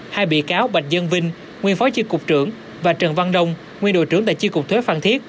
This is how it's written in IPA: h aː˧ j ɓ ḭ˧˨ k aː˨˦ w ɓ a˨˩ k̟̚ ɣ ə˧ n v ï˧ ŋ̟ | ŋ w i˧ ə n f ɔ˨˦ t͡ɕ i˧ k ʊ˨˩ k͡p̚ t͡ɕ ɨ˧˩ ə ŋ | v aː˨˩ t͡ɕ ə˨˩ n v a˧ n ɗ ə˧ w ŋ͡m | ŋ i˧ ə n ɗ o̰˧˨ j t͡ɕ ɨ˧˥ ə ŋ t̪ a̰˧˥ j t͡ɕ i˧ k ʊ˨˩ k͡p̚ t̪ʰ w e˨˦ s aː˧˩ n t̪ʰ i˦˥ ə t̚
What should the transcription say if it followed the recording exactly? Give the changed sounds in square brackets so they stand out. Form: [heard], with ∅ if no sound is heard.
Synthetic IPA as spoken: h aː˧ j ɓ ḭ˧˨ k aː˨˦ w ɓ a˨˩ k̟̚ [z] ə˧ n v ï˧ ŋ̟ | ŋ w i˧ ə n f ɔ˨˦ t͡ɕ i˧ k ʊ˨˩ k͡p̚ t͡ɕ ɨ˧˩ ə ŋ | v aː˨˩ t͡ɕ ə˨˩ n v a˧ n ɗ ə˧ w ŋ͡m | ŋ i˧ ə n ɗ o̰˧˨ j t͡ɕ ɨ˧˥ ə ŋ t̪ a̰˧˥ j t͡ɕ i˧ k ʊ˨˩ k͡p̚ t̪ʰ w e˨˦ [f] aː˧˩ n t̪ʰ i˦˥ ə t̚